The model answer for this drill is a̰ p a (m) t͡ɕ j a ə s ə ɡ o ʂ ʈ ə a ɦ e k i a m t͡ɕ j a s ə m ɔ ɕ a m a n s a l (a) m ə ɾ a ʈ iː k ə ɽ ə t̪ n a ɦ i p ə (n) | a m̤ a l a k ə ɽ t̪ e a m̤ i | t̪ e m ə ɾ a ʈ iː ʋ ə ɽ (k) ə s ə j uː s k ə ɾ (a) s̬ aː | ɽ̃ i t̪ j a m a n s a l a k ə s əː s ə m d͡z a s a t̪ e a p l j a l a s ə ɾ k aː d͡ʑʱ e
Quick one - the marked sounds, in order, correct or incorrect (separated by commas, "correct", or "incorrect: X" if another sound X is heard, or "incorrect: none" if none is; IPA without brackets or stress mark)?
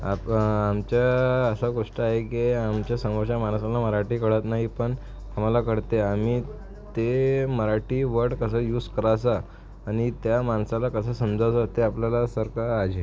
correct, correct, incorrect: ɳ, correct, correct